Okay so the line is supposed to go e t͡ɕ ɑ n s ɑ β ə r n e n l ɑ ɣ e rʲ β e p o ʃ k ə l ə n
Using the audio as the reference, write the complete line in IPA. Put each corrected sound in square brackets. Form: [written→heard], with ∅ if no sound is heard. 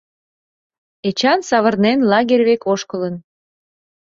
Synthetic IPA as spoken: e t͡ɕ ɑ n s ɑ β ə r n e n l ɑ ɣ e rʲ β e [p→k] o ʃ k ə l ə n